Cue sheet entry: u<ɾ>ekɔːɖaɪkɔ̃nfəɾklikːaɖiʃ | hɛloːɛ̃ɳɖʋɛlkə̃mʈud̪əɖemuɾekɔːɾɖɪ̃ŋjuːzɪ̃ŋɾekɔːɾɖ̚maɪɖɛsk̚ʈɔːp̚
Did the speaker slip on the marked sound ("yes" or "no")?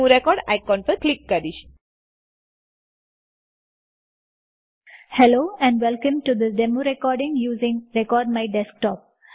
no